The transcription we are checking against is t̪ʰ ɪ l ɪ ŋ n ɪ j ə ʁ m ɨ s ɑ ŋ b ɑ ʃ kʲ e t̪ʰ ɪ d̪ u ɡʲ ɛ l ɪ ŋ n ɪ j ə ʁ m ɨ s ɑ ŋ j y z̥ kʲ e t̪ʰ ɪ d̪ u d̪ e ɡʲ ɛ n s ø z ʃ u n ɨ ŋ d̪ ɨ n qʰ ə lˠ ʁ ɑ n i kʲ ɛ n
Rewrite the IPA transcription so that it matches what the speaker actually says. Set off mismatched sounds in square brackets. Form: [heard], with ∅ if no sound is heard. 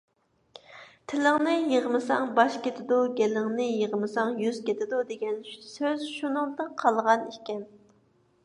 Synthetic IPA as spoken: t̪ʰ ɪ l ɪ ŋ n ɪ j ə ʁ m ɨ s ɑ ŋ b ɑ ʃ kʲ e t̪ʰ ɪ d̪ u ɡʲ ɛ l ɪ ŋ n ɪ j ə ʁ m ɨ s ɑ ŋ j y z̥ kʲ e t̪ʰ ɪ d̪ u d̪ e ɡʲ ɛ n s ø z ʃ u n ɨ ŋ d̪ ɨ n qʰ [ɑ] lˠ ʁ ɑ n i kʲ ɛ n

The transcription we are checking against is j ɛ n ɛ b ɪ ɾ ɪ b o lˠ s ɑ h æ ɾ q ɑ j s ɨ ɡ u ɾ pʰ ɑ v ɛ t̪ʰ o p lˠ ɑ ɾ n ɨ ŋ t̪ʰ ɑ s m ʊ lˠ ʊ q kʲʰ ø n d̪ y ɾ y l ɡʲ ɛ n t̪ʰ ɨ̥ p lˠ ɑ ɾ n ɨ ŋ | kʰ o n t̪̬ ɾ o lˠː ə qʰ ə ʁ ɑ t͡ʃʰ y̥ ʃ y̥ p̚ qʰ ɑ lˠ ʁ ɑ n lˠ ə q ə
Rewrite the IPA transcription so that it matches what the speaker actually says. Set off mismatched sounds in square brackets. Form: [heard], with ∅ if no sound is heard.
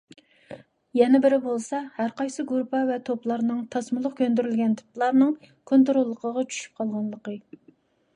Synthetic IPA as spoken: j ɛ n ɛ b ɪ ɾ ɪ b o lˠ s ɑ h æ ɾ q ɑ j s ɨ ɡ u ɾ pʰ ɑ v ɛ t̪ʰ o p lˠ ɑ ɾ n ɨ ŋ t̪ʰ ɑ s m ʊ lˠ ʊ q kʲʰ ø n d̪ y ɾ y l ɡʲ ɛ n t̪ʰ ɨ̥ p lˠ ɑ ɾ n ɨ ŋ | kʰ o n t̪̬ ɾ o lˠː ə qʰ ə ʁ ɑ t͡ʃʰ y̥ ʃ y̥ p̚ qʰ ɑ lˠ ʁ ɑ n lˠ ə q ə

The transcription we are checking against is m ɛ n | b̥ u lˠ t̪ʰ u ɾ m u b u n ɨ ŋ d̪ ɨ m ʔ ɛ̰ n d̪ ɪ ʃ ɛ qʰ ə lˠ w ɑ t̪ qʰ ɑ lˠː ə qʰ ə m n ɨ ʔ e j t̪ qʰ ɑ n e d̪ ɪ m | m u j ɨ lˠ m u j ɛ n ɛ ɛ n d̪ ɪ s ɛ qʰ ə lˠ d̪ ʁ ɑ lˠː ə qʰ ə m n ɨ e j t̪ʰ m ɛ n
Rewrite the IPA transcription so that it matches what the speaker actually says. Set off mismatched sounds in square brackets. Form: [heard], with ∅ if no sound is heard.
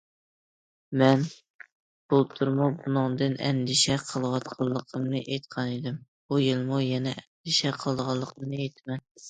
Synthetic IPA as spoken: m ɛ n | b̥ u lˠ t̪ʰ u ɾ m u b u n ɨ ŋ d̪ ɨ [n] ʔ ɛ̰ n d̪ ɪ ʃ ɛ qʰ ə lˠ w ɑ t̪ qʰ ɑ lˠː ə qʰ ə m n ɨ ʔ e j t̪ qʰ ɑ n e d̪ ɪ m | [b] u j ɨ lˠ m u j ɛ n ɛ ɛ n d̪ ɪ [ʃ] ɛ qʰ ə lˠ d̪ ʁ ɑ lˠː ə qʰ ə m n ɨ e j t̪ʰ m ɛ n

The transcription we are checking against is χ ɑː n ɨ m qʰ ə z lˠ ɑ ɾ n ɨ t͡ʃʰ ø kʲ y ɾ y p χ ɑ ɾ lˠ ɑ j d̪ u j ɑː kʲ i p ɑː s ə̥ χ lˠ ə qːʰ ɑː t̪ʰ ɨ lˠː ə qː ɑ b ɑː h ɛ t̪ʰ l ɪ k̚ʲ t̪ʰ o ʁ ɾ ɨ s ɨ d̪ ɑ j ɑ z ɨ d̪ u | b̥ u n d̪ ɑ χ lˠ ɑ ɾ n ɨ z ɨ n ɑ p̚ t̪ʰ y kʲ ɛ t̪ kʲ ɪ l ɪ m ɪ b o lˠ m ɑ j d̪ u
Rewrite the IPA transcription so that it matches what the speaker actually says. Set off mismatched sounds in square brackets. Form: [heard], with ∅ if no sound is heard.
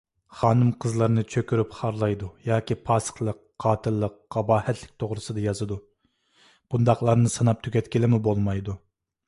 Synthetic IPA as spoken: χ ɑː n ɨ m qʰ ə z lˠ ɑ ɾ n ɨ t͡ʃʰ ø kʲ y ɾ y p χ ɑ ɾ lˠ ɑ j d̪ u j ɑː kʲ i [pʰ] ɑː s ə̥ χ lˠ ə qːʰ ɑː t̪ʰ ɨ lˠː ə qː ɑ b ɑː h ɛ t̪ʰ l ɪ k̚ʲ t̪ʰ o ʁ ɾ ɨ s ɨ d̪ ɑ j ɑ z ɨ d̪ u | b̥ u n d̪ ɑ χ lˠ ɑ ɾ n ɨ [s] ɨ n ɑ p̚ t̪ʰ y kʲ ɛ t̪ kʲ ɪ l ɪ m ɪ b o lˠ m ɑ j d̪ u

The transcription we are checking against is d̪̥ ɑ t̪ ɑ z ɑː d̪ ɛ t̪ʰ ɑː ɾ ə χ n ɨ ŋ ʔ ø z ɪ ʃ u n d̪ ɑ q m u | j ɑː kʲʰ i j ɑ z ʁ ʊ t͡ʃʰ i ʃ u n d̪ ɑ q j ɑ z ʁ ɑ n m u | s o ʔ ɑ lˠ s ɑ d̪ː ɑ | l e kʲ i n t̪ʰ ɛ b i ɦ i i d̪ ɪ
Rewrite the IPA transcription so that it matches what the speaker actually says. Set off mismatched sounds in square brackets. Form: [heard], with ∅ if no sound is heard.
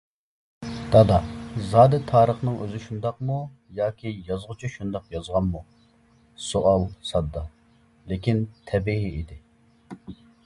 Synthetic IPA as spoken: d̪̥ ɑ [d̪] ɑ z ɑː d̪ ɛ t̪ʰ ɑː ɾ ə χ n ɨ ŋ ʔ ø z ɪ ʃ u n d̪ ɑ q m u | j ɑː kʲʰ i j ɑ z ʁ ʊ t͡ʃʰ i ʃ u n d̪ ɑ q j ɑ z ʁ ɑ n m u | s o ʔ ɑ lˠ s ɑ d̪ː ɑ | l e kʲ i n t̪ʰ ɛ b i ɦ i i d̪ ɪ

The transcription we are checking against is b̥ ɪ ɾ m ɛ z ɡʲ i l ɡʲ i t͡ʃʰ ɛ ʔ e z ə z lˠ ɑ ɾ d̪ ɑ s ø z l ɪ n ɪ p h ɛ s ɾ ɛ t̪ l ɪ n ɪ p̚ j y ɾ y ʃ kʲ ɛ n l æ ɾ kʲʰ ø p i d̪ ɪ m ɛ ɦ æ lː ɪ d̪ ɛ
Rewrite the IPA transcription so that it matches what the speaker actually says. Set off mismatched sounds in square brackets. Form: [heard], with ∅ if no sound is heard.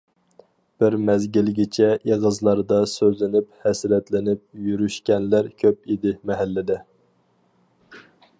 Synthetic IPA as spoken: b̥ ɪ ɾ m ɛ z ɡʲ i l ɡʲ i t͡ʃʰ ɛ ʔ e [ʁ] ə z lˠ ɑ ɾ d̪ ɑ s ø z l ɪ n ɪ p h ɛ s ɾ ɛ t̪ l ɪ n ɪ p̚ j y ɾ y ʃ kʲ ɛ n l æ ɾ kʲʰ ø p i d̪ ɪ m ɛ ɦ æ lː ɪ d̪ ɛ

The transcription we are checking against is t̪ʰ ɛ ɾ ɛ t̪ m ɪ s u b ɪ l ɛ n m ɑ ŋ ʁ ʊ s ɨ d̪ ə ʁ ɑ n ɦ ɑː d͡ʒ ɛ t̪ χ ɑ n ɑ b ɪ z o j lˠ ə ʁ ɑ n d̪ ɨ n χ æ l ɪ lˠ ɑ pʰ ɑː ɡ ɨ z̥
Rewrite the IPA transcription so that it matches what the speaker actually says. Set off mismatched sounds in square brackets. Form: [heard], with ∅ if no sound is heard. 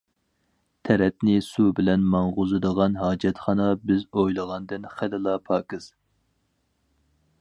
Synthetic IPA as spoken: t̪ʰ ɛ ɾ ɛ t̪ [n] ɪ s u b ɪ l ɛ n m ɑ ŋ ʁ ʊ [z] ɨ d̪ ə ʁ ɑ n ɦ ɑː d͡ʒ ɛ t̪ χ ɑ n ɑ b ɪ z o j lˠ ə ʁ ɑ n d̪ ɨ n χ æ l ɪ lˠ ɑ pʰ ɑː [k] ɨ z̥

